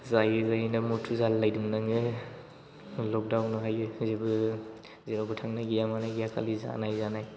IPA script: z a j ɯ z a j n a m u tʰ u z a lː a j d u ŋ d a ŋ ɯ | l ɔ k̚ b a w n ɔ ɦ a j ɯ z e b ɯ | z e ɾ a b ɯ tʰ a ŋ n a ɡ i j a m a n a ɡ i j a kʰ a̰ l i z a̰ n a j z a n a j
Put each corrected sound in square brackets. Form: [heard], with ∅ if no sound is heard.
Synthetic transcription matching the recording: z a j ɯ z a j n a m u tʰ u z a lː a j d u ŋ [n] a ŋ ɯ | l ɔ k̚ [d] a w n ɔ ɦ a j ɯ z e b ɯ | z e ɾ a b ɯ tʰ a ŋ n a ɡ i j a m a n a ɡ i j a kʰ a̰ l i z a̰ n a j z a n a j